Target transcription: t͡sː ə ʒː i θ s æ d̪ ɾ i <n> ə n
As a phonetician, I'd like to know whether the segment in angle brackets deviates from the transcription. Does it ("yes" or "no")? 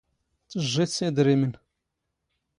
yes